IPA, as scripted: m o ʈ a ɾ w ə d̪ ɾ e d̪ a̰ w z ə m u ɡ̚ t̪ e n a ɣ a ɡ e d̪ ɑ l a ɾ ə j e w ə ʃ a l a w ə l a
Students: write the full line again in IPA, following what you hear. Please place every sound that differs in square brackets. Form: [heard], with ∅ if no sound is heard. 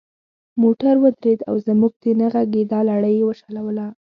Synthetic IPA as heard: m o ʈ a ɾ w ə d̪ ɾ e d̪ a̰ w z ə m u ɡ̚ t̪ e n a ɣ a ɡ e d̪ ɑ l a [ɽ] ə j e w ə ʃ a l a w ə l a